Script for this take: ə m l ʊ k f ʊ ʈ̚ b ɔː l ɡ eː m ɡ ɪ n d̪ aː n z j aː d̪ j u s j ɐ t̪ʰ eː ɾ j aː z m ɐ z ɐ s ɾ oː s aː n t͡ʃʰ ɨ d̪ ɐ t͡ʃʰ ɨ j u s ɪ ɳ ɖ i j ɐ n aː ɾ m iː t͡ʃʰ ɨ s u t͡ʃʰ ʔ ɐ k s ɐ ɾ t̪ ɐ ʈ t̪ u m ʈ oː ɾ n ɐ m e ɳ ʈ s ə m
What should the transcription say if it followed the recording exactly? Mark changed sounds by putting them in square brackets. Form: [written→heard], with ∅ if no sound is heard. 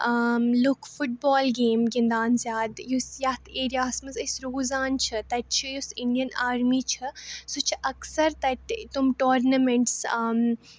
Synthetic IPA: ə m l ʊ k f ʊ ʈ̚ b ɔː l ɡ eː m ɡ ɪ n d̪ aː n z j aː d̪ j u s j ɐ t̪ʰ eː ɾ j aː [z→s] m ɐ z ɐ s ɾ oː [s→z] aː n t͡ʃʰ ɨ [d̪→t̪] ɐ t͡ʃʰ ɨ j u s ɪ ɳ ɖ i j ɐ n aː ɾ m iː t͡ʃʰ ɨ s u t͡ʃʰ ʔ ɐ k s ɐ ɾ t̪ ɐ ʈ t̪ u m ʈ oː ɾ n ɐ m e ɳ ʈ s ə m